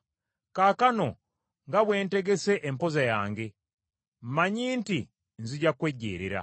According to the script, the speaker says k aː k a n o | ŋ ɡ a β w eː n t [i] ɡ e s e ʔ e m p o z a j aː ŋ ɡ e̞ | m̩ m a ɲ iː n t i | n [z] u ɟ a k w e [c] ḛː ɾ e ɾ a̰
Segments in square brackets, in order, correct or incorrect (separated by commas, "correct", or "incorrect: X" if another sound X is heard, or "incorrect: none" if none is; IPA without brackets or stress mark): incorrect: e, correct, incorrect: ɟ